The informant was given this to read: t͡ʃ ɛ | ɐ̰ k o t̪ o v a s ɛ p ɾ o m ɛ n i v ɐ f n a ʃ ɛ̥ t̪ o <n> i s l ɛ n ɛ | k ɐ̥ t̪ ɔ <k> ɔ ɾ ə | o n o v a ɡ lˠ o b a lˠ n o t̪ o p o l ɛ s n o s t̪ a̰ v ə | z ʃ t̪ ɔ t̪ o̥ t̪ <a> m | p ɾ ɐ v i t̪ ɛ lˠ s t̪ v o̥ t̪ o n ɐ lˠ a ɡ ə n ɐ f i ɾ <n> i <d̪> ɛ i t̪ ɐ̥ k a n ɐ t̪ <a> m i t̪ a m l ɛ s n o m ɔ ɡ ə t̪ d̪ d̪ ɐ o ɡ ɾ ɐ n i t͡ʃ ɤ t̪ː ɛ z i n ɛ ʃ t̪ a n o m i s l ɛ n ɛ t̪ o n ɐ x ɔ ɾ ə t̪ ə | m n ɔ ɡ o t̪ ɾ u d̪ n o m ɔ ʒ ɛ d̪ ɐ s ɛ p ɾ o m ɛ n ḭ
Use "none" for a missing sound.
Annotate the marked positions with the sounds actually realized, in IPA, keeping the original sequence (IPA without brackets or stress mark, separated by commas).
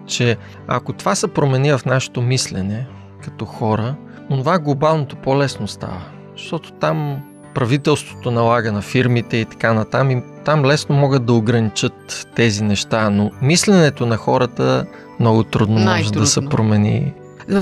m, x, a, m, t̪, a